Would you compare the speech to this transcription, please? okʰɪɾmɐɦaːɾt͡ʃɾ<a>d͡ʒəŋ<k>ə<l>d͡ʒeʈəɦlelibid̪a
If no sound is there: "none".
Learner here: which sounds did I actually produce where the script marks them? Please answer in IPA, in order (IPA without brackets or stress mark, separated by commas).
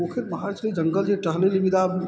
i, ɡ, l